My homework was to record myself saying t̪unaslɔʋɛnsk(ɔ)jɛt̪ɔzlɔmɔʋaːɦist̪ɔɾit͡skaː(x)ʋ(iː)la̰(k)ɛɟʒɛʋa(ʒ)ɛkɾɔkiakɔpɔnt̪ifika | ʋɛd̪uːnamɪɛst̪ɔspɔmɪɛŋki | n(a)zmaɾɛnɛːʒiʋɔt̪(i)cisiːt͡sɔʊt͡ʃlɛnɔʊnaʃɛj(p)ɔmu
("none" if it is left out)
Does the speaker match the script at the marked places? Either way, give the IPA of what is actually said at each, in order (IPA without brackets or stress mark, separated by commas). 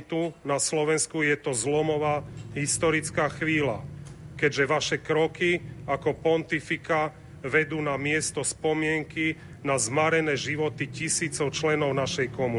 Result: u, x, iː, k, ʃ, a, i, k